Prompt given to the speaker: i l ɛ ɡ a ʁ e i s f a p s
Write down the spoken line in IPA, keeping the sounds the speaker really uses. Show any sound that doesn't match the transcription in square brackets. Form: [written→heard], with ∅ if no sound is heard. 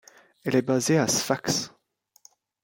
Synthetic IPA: [i→ɛ] l ɛ [ɡ→b] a [ʁ→z] e [i→a] s f a [p→k] s